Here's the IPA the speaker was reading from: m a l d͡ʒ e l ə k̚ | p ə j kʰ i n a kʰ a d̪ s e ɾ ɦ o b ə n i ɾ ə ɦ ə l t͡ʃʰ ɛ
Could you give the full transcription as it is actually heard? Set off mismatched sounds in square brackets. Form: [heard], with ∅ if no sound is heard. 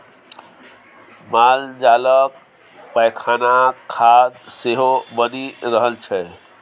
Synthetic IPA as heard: m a l d͡ʒ [a] l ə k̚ | p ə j kʰ [a] n a kʰ a d̪ s e [∅] ɦ o b ə n i ɾ ə ɦ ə l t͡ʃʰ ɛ